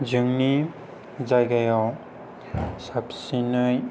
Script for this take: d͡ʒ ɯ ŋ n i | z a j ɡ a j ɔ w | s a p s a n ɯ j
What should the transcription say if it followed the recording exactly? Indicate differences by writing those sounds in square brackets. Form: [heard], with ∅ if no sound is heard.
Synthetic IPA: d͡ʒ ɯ ŋ n i | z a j ɡ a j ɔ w | s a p s [i] n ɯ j